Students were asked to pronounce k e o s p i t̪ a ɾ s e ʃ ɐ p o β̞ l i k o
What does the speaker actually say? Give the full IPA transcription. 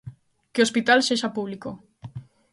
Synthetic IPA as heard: k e o s p i t̪ a l s e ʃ a p u β̞ l i k o